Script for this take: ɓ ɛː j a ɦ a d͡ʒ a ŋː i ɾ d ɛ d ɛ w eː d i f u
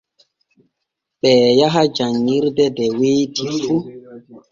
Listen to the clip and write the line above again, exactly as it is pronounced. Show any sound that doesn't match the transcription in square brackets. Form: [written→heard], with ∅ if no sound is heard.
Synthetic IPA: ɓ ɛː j a ɦ a d͡ʒ a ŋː i ɾ d ɛ d ɛ w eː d i f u